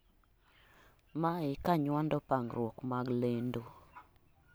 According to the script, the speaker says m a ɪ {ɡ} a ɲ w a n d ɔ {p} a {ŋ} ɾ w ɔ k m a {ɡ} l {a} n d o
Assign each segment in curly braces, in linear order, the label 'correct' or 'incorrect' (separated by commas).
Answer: incorrect, correct, correct, correct, incorrect